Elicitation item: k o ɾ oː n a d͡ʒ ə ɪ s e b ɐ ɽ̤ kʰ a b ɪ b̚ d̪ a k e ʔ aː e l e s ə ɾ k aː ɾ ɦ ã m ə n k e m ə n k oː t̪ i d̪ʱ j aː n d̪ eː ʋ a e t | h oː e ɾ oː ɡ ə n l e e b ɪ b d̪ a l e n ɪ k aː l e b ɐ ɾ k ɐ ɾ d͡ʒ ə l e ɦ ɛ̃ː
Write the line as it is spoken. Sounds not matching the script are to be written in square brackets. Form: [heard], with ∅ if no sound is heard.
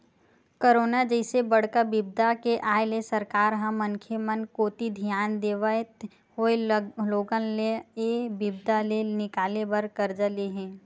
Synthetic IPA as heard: k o ɾ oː n a d͡ʒ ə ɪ s e b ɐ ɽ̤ [k] a b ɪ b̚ d̪ a k e ʔ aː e l e s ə ɾ k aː ɾ ɦ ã m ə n [kʰ] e m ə n k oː t̪ i d̪ʱ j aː n d̪ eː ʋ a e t | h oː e [l] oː ɡ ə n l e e b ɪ b d̪ a l e n ɪ k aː l e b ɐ ɾ k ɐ ɾ d͡ʒ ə l e ɦ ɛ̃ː